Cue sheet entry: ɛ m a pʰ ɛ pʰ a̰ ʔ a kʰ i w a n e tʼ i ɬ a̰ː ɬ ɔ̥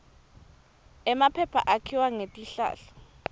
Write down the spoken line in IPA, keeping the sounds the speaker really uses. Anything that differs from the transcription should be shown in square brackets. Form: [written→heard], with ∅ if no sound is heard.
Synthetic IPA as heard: ɛ m a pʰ ɛ pʰ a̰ ʔ a kʰ i w a [n→ŋ] e tʼ i ɬ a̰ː ɬ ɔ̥